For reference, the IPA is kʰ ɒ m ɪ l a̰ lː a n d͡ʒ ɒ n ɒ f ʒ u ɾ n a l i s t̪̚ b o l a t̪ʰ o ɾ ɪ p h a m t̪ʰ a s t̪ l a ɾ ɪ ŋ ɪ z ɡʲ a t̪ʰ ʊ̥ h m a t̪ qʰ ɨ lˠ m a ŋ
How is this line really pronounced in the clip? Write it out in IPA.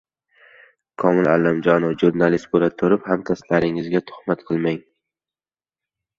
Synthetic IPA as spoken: kʰ ɒ m ɪ l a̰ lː a m d͡ʒ ɒ n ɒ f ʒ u ɾ n a l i s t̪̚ b o l a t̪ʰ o ɾ ɪ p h a m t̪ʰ a s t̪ l a ɾ ɪ ŋ ɪ z ɡʲ a t̪ʰ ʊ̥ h m a t̪ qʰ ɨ lˠ m a ŋ